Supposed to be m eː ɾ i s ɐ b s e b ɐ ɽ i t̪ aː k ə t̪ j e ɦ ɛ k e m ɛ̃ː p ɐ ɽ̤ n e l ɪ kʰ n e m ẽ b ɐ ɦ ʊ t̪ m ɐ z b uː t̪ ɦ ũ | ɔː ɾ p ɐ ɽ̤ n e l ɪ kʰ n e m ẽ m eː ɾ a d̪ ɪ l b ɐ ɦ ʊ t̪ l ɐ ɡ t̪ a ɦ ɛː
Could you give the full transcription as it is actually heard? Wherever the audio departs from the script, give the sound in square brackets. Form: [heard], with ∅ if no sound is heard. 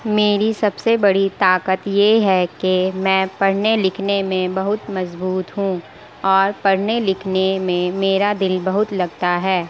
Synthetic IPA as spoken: m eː ɾ i s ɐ b s e b ɐ ɽ i t̪ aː k ə t̪ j e ɦ ɛ k e m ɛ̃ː p ɐ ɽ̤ n e l ɪ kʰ n e m ẽ b ɐ ɦ ʊ t̪ m ɐ z b uː t̪ ɦ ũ | ɔː ɾ p ɐ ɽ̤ n e l ɪ kʰ n e m ẽ m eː ɾ a d̪ ɪ l b ɐ ɦ ʊ t̪ l ɐ ɡ t̪ a ɦ ɛː